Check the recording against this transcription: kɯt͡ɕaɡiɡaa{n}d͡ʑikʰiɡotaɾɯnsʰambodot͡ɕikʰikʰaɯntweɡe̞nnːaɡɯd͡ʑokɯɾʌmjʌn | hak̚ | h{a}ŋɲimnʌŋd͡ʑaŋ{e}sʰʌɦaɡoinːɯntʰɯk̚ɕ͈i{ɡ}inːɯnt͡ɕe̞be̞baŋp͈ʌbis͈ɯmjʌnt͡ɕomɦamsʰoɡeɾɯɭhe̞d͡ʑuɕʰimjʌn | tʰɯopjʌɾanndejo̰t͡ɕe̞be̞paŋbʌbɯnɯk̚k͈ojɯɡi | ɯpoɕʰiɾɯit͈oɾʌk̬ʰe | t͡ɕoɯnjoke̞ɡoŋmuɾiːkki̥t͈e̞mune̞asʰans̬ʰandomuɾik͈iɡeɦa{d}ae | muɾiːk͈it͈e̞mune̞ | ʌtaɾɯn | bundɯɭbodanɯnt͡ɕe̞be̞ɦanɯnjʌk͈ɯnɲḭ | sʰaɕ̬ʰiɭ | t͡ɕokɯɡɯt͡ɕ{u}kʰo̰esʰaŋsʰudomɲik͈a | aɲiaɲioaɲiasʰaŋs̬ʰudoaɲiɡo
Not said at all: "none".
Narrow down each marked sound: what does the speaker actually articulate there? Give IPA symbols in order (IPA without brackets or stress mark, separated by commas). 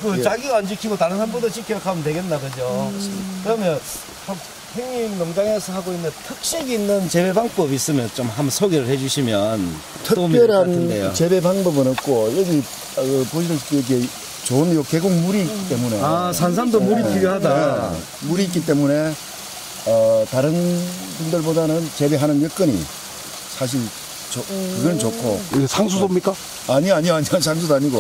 n, e, e, ɡ, d, o